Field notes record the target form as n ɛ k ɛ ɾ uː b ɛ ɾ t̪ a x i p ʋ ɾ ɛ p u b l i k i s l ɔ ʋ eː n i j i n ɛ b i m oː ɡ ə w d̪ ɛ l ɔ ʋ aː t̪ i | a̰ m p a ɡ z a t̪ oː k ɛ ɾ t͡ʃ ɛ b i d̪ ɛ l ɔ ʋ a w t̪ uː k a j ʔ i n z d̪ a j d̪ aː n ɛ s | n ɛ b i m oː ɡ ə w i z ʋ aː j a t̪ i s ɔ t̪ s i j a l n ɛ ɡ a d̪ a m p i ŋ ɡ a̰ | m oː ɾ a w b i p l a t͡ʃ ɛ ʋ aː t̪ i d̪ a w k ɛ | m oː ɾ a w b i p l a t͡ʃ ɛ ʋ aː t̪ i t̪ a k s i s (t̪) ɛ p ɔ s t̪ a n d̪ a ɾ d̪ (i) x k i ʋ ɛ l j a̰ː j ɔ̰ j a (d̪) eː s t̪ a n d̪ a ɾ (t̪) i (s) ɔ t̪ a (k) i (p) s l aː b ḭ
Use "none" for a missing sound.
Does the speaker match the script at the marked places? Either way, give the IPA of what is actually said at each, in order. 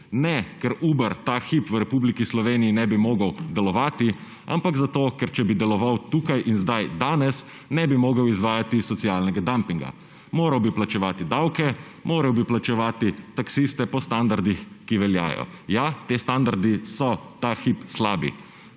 t̪, i, t̪, d̪, s, x, p

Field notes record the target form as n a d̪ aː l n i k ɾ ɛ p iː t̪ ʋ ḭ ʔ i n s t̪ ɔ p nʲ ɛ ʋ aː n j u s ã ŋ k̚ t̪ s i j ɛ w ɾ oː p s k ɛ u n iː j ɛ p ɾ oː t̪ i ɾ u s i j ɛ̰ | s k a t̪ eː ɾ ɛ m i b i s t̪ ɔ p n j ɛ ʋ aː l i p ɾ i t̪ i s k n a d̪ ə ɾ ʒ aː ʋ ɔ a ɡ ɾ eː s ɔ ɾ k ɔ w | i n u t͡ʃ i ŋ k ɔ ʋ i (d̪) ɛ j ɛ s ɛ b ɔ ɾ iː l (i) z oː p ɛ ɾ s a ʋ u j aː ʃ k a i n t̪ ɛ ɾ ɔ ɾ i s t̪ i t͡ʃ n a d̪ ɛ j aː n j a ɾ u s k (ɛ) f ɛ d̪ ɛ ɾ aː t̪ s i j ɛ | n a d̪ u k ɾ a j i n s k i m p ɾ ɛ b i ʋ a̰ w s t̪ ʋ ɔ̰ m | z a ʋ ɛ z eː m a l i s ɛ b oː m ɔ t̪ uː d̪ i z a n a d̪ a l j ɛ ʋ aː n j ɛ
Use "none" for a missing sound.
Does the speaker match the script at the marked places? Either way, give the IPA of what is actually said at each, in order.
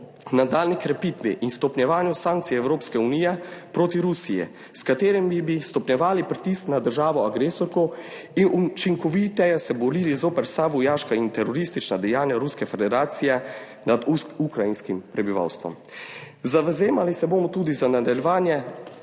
t̪, i, ɛ

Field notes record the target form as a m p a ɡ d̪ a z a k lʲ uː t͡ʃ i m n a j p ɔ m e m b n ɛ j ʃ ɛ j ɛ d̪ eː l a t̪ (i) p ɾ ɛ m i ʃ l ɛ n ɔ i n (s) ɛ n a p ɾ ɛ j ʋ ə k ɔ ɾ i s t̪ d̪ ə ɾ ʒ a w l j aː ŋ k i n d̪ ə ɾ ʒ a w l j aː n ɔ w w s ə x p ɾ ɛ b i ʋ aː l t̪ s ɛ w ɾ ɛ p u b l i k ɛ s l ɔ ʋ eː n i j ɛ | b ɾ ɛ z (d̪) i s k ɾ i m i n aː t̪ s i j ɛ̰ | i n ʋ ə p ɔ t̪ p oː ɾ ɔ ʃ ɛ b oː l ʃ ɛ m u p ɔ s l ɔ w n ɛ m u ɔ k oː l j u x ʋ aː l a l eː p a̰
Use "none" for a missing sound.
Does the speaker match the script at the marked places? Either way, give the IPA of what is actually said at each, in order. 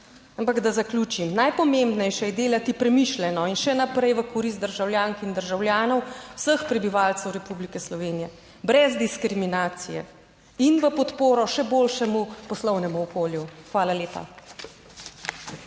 i, ʃ, d̪

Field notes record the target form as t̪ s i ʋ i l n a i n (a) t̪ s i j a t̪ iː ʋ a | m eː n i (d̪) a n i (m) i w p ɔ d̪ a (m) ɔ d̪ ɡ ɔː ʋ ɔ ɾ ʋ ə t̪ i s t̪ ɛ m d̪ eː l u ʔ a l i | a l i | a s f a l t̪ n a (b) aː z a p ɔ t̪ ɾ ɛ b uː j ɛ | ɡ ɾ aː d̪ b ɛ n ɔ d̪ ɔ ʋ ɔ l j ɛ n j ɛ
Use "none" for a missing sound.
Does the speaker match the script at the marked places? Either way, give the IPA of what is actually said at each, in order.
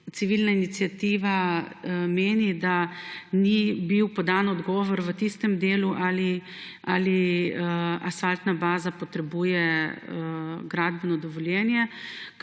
i, d̪, b, n, b

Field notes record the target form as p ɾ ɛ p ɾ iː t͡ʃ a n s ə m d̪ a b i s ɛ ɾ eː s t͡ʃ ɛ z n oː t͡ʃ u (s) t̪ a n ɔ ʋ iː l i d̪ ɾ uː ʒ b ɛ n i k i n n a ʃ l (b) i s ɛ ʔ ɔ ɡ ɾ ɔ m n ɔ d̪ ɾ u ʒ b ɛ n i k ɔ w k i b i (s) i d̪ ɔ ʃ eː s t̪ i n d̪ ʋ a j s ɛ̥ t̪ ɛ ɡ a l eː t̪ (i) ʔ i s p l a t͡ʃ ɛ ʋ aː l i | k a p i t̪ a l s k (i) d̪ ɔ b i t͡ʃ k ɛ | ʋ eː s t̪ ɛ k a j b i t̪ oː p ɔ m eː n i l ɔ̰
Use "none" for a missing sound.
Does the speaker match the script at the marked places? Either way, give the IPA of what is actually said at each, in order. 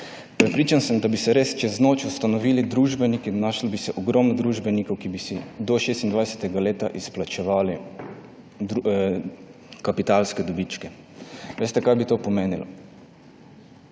s, b, s, a, ɛ

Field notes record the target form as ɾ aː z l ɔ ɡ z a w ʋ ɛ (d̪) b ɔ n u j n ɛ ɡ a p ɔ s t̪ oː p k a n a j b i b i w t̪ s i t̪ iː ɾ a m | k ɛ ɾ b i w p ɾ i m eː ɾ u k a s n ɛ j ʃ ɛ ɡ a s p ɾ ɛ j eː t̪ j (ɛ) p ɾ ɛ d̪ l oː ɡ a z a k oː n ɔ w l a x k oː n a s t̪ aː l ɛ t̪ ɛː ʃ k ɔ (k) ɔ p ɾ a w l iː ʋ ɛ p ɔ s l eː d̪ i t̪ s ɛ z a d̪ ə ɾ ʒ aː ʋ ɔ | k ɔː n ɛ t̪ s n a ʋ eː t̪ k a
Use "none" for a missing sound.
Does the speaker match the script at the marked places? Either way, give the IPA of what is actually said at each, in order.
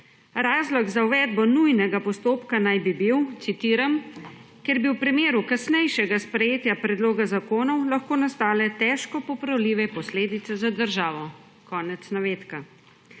d̪, a, p

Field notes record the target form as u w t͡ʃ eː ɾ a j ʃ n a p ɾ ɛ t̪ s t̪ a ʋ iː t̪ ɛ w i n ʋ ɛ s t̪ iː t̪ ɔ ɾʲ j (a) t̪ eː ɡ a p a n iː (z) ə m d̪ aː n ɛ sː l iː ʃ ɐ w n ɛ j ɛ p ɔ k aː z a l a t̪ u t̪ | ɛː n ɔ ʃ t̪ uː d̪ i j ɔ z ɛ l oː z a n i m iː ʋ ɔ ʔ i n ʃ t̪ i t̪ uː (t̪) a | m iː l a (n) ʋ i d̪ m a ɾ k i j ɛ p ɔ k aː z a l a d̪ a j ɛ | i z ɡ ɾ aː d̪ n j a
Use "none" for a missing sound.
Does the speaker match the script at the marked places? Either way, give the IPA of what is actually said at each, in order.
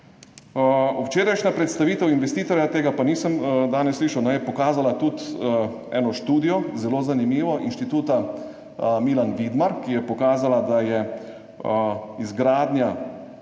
a, s, t̪, n

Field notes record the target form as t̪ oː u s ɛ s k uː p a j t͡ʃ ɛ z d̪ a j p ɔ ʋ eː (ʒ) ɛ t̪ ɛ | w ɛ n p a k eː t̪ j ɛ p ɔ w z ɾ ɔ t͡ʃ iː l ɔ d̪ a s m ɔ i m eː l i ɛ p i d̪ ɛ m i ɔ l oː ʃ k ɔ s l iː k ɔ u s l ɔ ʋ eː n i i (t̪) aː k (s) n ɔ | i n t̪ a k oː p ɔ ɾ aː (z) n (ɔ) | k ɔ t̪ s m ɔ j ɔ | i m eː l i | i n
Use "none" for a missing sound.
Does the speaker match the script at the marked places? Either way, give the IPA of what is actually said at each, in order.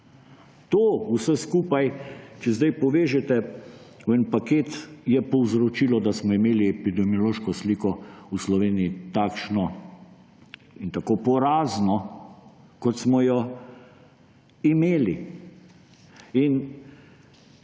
ʒ, t̪, ʃ, z, ɔ

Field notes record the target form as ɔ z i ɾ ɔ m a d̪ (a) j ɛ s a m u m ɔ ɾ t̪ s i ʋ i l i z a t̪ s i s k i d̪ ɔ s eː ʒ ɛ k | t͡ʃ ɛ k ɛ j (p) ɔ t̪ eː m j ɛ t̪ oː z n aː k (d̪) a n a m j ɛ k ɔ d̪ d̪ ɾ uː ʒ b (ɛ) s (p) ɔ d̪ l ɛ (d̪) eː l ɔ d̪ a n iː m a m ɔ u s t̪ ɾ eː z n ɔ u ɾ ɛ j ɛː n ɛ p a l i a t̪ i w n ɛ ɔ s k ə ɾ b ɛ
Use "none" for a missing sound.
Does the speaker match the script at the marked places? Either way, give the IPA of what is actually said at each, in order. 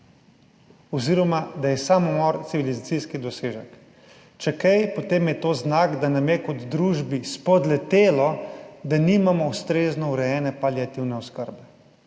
a, p, d̪, i, p, t̪

